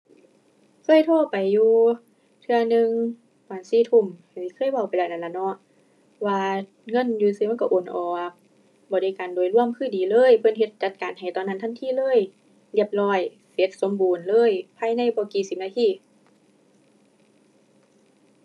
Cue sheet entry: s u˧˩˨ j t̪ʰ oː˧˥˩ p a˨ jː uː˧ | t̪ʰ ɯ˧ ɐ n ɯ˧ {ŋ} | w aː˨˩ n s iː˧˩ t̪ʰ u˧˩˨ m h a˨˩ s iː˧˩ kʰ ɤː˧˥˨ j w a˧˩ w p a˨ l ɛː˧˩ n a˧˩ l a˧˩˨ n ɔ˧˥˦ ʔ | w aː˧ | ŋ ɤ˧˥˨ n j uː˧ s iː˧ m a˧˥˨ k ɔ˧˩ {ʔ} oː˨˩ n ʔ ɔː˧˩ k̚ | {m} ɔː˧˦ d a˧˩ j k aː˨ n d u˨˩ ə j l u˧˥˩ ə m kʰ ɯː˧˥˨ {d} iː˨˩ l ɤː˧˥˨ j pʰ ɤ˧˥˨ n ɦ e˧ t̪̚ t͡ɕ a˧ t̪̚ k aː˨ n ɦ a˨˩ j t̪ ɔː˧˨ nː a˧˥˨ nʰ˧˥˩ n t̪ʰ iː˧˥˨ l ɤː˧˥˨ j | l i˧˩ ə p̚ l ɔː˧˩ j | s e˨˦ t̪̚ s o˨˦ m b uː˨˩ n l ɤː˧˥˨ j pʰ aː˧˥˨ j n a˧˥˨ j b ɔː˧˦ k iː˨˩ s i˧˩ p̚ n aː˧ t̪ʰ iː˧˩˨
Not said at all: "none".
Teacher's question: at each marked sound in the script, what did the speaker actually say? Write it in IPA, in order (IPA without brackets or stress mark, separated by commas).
ŋ, ʔ, b, d